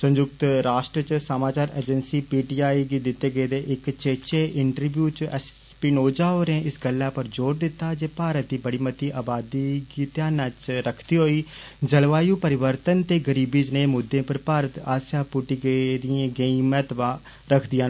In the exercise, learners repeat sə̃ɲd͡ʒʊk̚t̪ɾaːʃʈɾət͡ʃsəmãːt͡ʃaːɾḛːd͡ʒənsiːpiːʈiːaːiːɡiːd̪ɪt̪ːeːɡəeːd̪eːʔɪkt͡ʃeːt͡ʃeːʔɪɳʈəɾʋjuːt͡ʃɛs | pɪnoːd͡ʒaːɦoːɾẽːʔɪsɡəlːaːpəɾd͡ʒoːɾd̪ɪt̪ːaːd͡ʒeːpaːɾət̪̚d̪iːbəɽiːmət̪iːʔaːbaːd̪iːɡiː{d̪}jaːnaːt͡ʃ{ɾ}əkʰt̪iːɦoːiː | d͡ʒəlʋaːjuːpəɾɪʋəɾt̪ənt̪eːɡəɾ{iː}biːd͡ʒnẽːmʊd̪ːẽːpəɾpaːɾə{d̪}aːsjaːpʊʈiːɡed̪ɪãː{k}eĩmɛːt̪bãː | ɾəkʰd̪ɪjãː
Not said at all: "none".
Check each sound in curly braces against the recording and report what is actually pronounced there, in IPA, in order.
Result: t̪, ɾ, iː, t̪, ɡ

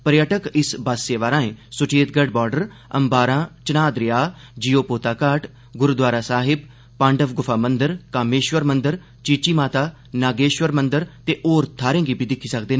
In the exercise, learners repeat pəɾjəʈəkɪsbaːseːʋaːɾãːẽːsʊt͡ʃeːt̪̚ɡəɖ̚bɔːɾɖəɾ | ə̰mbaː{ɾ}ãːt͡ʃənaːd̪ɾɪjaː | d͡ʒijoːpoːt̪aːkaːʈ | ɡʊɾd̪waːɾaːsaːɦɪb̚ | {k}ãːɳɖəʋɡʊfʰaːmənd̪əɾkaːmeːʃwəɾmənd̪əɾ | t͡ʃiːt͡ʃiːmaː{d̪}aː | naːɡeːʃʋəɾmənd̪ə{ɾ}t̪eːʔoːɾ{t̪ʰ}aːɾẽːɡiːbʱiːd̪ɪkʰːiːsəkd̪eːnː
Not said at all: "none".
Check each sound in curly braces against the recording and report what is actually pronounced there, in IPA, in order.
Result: ɾ, p, t̪, ɾ, t̪ʰ

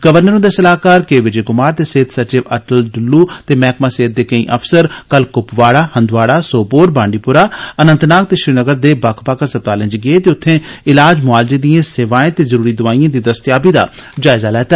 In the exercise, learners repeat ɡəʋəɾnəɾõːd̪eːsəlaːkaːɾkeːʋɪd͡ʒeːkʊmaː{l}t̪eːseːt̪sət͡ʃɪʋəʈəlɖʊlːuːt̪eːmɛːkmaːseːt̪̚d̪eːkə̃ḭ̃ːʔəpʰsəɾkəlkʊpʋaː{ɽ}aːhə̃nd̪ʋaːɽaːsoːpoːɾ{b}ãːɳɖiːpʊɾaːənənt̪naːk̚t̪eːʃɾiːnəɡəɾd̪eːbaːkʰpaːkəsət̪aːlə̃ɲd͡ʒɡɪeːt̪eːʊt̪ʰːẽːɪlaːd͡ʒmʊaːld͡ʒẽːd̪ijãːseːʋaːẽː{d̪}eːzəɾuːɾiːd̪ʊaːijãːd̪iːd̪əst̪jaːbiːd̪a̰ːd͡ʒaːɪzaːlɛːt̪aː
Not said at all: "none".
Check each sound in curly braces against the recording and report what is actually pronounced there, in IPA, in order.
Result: ɾ, ɽ, b, t̪

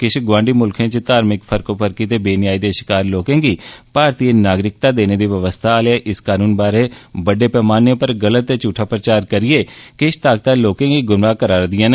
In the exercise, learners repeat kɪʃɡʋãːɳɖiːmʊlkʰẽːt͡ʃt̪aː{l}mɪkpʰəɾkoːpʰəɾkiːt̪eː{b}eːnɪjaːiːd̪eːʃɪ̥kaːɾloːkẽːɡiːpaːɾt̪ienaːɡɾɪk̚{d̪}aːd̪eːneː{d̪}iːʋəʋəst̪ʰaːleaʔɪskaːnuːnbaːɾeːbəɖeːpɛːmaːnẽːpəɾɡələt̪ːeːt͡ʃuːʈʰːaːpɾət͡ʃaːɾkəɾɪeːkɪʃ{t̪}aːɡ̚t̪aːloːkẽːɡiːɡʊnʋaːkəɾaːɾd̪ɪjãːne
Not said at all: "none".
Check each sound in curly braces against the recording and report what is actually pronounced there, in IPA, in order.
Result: ɾ, b, t̪, d̪, t̪

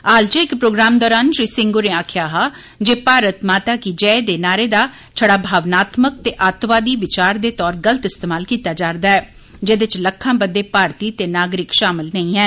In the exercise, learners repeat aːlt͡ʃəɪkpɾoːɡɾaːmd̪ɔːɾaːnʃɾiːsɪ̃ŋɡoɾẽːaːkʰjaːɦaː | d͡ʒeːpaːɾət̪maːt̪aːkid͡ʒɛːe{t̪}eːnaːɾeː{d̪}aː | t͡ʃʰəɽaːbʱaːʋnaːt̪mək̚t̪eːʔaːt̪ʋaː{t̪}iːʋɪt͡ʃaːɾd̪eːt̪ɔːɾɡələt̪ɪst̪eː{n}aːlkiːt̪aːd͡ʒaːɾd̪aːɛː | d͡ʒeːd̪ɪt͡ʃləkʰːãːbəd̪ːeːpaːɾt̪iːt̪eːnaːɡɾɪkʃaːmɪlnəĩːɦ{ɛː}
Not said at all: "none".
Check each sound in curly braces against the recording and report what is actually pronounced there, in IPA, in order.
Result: d̪, d̪, d̪, m, ɛː

